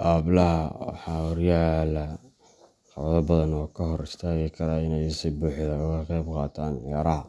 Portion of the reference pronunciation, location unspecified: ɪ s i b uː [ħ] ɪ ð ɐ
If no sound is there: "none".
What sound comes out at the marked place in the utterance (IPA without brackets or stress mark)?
ħ